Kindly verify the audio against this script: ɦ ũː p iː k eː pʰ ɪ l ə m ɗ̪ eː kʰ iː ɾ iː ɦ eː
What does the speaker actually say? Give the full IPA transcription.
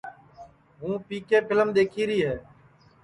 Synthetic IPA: ɦ ũː p iː k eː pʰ ɪ l ə m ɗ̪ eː kʰ iː ɾ iː ɦ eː